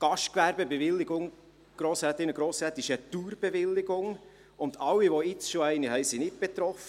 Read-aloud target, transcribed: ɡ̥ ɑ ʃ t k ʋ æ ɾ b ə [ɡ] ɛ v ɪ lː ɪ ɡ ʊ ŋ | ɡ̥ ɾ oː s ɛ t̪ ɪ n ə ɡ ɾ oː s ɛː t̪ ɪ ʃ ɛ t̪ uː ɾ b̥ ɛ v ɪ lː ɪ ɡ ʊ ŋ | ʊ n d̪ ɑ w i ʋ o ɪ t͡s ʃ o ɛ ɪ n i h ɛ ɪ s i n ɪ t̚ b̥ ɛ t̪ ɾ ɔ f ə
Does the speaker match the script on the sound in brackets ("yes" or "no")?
no